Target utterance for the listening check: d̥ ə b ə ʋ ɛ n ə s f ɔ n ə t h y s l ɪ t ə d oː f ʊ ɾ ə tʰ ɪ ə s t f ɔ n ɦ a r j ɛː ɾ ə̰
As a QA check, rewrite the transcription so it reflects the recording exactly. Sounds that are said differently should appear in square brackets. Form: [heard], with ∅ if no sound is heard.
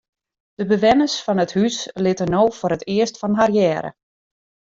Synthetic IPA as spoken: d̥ ə b ə ʋ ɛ n ə s f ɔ n ə t h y s l ɪ t ə [n] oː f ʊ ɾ ə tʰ ɪ ə s t f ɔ n ɦ a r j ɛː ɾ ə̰